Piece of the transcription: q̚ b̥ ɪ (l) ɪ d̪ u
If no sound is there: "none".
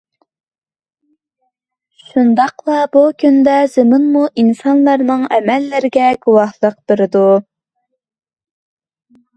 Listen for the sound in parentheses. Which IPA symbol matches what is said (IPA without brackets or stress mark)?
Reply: ɾ